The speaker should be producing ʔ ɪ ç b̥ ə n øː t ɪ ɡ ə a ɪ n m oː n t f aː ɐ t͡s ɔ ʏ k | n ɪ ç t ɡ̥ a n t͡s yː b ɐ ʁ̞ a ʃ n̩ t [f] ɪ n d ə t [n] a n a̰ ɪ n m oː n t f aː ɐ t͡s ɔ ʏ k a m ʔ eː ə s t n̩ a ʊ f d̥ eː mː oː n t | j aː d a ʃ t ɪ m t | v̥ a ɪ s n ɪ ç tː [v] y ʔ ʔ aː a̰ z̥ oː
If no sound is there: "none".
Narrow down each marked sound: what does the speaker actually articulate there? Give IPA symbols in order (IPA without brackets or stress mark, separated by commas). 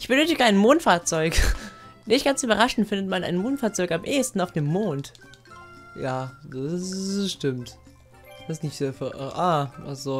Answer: f, m, f